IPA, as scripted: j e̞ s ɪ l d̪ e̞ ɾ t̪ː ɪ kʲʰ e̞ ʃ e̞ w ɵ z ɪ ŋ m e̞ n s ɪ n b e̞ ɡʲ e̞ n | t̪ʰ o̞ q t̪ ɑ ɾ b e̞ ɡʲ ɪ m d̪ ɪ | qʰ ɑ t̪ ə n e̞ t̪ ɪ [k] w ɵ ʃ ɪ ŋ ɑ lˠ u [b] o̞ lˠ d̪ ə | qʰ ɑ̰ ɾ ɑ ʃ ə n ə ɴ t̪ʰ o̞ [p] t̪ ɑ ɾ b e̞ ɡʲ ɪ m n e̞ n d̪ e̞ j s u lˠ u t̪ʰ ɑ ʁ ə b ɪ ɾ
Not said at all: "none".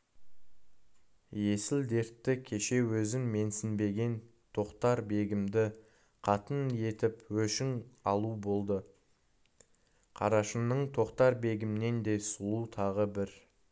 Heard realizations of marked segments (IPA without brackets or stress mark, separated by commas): p, b, q